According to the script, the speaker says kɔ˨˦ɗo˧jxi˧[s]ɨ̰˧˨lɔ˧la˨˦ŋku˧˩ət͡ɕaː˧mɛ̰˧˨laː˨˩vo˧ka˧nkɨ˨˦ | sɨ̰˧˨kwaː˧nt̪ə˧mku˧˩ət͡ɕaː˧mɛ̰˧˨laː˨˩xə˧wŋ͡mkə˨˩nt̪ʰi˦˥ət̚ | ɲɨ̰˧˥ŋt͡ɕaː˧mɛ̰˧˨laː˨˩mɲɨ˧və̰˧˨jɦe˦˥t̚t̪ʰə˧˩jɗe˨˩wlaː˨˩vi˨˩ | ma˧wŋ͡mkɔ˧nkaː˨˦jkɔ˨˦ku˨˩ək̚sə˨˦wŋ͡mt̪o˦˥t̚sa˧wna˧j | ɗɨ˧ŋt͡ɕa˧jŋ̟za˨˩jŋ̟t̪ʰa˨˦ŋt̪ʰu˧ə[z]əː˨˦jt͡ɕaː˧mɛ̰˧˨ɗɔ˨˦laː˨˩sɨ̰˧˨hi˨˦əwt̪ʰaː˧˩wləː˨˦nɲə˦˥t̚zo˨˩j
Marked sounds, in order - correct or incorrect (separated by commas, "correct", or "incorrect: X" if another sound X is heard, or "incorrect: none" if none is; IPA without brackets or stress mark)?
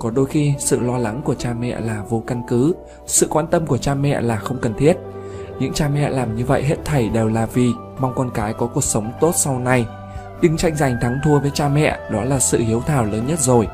correct, incorrect: v